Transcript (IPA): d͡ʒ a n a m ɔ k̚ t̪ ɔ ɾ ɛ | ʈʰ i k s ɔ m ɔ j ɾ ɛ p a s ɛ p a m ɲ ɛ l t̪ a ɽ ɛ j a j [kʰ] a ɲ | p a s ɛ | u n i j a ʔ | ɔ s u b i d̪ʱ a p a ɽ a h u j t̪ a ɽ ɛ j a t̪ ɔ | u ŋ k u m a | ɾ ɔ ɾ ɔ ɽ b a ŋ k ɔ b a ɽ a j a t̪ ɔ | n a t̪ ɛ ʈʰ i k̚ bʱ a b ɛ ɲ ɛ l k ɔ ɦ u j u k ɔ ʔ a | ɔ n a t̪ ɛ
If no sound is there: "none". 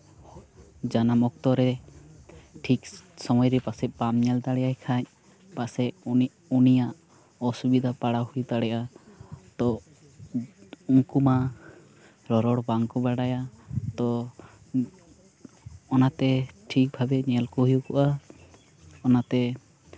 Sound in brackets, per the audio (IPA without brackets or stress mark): kʰ